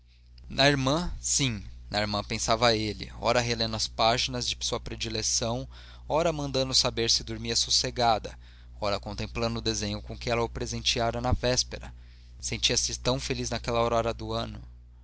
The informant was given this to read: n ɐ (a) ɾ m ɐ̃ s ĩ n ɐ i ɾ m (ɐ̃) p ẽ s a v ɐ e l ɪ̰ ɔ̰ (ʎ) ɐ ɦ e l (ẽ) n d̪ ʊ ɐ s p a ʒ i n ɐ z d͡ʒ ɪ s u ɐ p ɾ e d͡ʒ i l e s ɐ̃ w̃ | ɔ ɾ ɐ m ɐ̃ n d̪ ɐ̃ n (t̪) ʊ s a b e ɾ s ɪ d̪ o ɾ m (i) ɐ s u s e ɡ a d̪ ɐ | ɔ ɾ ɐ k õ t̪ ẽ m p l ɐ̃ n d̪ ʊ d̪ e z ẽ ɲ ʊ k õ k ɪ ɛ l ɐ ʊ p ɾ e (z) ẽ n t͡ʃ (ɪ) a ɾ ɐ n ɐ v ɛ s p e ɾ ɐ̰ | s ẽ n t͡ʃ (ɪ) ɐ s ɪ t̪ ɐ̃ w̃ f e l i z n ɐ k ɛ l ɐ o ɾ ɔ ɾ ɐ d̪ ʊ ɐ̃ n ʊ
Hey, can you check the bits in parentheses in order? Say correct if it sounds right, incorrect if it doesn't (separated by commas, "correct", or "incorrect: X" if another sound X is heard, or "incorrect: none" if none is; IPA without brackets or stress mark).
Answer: incorrect: i, correct, incorrect: ɾ, correct, incorrect: d̪, correct, correct, incorrect: i, incorrect: i